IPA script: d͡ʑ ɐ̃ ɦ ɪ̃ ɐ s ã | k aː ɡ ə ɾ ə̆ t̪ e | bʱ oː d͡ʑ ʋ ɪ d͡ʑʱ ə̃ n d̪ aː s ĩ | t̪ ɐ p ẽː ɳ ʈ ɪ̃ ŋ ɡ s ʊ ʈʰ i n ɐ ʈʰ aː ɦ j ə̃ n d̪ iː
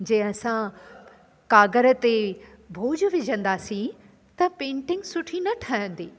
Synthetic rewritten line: d͡ʑ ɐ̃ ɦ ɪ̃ ɐ s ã | k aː ɡ ə ɾ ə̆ t̪ e | bʱ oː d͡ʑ ʋ ɪ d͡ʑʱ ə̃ n d̪ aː s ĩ | t̪ ɐ p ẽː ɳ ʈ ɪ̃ ŋ ɡ s ʊ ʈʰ i n ɐ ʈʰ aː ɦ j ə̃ n d̪ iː

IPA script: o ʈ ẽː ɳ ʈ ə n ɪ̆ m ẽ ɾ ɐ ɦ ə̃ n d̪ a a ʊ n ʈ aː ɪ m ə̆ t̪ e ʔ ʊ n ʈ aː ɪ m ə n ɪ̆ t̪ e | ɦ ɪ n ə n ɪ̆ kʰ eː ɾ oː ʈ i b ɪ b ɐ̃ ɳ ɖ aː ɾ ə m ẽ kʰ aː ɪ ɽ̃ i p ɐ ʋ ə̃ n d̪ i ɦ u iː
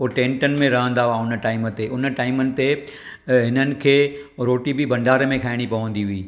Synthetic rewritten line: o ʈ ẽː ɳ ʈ ə n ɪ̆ m ẽ ɾ ɐ ɦ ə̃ n d̪ a a ʊ n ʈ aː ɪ m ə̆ t̪ e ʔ ʊ n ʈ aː ɪ m ə n ɪ̆ t̪ e | ɦ ɪ n ə n ɪ̆ kʰ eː ɾ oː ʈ i b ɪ b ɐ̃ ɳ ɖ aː ɾ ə m ẽ kʰ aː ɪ ɽ̃ i p ɐ ʋ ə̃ n d̪ i ɦ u iː

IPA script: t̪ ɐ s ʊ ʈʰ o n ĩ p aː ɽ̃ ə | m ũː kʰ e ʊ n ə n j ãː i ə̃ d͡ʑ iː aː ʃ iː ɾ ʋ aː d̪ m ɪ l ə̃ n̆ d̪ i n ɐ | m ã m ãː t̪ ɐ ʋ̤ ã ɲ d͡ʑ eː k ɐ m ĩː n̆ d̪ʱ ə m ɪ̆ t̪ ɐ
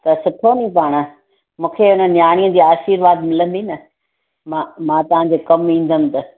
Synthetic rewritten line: t̪ ɐ s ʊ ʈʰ o n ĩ p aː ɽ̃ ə | m ũː kʰ e ʊ n ə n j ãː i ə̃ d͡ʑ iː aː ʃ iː ɾ ʋ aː d̪ m ɪ l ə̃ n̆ d̪ i n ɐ | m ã m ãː t̪ ɐ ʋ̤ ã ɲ d͡ʑ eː k ɐ m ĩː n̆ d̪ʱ ə m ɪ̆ t̪ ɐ

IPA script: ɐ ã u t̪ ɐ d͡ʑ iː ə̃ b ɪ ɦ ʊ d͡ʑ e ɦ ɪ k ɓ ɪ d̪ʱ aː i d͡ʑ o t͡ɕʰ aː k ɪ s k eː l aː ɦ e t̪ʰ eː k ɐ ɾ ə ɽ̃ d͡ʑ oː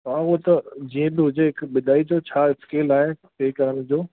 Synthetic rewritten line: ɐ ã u t̪ ɐ d͡ʑ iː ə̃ b ɪ ɦ ʊ d͡ʑ e ɦ ɪ k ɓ ɪ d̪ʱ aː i d͡ʑ o t͡ɕʰ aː ɪ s k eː l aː ɦ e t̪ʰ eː k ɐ ɾ ə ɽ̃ d͡ʑ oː

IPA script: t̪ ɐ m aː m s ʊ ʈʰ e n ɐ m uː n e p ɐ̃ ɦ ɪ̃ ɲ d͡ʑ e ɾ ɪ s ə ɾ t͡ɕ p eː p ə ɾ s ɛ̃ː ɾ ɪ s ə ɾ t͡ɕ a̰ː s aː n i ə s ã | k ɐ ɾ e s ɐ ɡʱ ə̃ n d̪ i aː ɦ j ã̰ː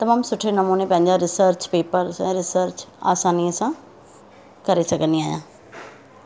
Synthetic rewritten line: t̪ ɐ m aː m s ʊ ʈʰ e n ɐ m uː n e p ɐ̃ ɦ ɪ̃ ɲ d͡ʑ a ɾ ɪ s ə ɾ t͡ɕ p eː p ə ɾ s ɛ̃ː ɾ ɪ s ə ɾ t͡ɕ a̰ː s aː n i ə s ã | k ɐ ɾ e s ɐ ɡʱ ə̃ n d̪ i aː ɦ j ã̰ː

